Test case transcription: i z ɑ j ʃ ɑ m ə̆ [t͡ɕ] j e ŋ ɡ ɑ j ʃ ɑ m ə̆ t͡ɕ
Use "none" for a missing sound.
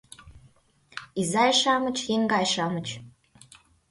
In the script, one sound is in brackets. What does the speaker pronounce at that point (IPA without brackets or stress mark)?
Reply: t͡ɕ